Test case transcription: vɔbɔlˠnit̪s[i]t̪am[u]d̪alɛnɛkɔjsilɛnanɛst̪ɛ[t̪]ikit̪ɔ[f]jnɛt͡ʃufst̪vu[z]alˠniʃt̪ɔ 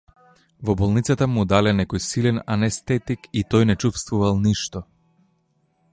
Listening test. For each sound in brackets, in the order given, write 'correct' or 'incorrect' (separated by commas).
incorrect, correct, correct, incorrect, incorrect